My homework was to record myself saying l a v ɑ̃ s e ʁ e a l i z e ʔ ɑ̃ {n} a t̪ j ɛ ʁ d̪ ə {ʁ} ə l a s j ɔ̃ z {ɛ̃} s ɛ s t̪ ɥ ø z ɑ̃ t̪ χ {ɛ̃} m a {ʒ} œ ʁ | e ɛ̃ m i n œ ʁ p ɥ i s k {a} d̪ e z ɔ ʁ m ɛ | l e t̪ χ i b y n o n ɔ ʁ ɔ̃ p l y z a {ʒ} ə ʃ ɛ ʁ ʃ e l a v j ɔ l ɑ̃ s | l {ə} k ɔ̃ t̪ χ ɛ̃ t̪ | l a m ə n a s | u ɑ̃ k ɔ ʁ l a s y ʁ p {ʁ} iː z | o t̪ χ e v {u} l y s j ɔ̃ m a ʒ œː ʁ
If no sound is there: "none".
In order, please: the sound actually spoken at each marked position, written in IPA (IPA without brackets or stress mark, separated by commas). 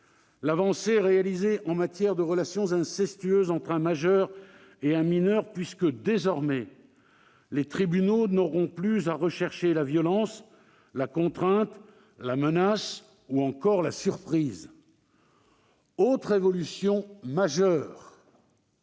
m, ʁ, ɛ̃, ɛ̃, ʒ, ə, ʁ, a, χ, ɔ